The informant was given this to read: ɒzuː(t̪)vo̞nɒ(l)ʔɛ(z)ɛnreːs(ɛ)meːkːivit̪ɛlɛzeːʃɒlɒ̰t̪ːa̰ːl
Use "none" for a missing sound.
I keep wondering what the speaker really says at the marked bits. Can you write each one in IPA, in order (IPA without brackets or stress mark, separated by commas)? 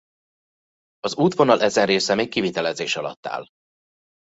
t̪, l, z, ɛ